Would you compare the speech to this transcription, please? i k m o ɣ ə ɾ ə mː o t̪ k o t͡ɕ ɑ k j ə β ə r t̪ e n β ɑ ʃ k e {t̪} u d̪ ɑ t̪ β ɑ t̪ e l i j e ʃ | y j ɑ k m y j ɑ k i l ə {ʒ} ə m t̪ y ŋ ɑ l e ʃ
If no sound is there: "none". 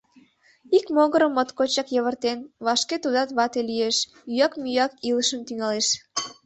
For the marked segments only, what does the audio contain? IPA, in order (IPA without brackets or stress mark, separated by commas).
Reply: t̪, ʃ